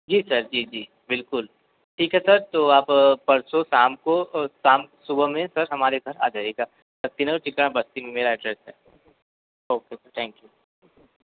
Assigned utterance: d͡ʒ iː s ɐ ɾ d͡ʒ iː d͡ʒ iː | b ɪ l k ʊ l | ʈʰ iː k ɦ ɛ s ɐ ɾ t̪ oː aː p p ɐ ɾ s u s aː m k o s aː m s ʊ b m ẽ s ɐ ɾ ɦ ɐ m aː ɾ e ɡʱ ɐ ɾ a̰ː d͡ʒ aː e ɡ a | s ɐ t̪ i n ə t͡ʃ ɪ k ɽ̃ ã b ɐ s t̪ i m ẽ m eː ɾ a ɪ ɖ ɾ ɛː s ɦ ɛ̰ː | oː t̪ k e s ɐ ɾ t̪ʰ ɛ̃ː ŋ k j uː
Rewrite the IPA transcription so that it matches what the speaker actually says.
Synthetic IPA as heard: d͡ʒ iː s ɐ ɾ d͡ʒ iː d͡ʒ iː | b ɪ l k ʊ l | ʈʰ iː k ɦ ɛ s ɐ ɾ t̪ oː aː p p ɐ ɾ s o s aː m k o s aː m s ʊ b m ẽ s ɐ ɾ ɦ ɐ m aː ɾ e ɡʱ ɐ ɾ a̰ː d͡ʒ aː e ɡ a | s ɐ t̪ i n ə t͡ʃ ɪ k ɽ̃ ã b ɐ s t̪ i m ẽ m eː ɾ a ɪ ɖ ɾ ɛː s ɦ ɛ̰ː | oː k e s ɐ ɾ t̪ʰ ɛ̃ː ŋ k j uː